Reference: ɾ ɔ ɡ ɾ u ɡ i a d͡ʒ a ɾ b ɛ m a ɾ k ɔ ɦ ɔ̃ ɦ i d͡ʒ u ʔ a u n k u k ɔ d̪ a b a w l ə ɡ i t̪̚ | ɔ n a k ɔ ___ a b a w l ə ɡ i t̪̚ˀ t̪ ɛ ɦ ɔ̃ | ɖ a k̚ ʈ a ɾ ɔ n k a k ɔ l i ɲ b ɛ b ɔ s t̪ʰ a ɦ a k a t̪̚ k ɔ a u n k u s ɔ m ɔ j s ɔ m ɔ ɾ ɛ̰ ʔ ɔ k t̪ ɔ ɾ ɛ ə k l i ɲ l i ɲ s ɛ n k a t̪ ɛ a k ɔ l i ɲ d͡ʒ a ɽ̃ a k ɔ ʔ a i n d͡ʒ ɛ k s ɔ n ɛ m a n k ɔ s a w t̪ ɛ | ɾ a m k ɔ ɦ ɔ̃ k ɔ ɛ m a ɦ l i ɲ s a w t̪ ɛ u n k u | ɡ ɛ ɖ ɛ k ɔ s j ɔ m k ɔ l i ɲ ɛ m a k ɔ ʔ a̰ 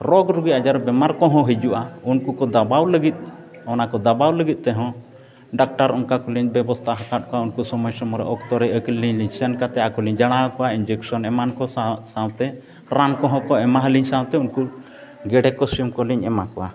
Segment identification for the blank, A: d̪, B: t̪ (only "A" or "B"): A